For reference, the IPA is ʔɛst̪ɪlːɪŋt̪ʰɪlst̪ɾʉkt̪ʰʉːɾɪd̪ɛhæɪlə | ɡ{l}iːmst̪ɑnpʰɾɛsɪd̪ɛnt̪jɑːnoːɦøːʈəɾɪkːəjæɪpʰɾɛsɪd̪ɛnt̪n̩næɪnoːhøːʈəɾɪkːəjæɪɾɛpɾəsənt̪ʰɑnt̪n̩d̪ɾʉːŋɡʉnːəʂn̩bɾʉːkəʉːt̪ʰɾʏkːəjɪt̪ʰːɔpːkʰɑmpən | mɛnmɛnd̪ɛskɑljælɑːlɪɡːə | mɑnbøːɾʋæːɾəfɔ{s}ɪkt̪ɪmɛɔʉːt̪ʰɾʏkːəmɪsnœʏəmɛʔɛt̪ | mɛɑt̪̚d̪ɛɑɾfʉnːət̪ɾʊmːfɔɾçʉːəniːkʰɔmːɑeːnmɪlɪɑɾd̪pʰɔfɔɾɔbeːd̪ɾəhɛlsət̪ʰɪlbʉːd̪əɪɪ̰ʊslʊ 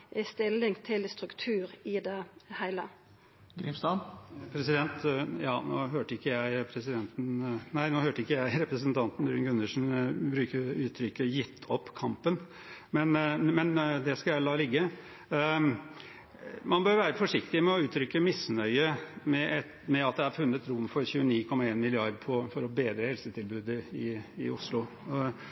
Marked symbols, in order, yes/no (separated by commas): no, no